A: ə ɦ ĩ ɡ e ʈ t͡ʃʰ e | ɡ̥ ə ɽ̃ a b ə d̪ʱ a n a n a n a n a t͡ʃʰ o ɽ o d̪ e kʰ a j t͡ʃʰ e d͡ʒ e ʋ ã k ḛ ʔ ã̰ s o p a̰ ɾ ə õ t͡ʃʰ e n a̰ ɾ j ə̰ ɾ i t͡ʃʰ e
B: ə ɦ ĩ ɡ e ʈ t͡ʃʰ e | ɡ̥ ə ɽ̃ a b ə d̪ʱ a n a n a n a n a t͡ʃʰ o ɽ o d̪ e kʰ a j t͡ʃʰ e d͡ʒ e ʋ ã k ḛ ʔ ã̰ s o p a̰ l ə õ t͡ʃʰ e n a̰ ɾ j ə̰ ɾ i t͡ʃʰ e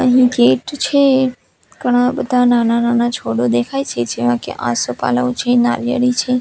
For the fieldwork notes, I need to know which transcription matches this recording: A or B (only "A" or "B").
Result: B